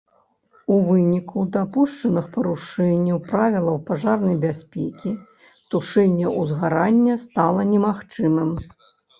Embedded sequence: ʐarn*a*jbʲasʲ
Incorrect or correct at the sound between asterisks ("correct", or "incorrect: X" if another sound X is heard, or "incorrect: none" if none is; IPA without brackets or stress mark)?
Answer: incorrect: ɐ